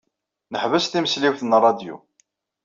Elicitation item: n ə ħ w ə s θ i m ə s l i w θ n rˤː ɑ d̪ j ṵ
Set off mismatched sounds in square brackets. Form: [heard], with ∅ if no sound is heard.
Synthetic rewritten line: n ə ħ [v] ə s θ i m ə s l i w θ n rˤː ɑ d̪ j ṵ